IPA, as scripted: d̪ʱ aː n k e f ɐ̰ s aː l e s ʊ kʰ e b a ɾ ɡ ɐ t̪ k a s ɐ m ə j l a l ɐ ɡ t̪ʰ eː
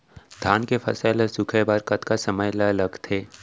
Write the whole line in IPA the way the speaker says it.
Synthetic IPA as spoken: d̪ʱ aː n k e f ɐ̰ s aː l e s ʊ kʰ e b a ɾ k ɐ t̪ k a s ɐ m ə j l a l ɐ ɡ t̪ʰ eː